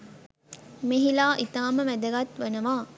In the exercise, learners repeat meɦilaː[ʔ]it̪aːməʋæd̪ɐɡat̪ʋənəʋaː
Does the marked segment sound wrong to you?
no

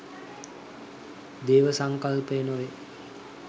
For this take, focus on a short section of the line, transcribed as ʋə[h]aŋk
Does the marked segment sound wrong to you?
yes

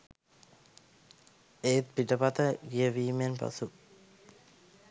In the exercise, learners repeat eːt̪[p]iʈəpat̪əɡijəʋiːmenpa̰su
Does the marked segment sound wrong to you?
no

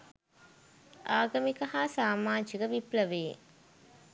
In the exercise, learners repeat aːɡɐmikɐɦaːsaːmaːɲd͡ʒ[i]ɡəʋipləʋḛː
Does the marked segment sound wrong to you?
no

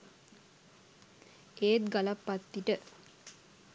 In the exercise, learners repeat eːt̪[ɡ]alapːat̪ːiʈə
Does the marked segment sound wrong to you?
no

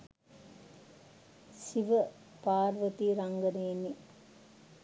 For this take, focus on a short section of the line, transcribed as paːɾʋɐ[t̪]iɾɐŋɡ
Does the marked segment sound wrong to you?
no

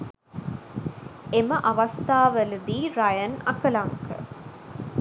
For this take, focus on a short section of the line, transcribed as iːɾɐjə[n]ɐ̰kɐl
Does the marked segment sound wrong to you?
no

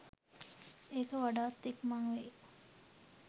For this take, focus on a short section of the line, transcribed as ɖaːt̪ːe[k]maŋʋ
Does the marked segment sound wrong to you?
no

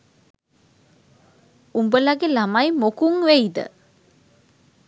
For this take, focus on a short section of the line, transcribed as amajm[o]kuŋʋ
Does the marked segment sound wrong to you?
no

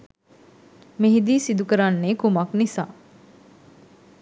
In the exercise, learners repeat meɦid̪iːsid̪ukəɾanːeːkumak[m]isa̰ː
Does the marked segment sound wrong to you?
yes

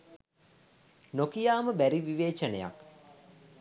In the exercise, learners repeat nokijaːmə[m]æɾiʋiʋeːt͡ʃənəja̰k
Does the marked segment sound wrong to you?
yes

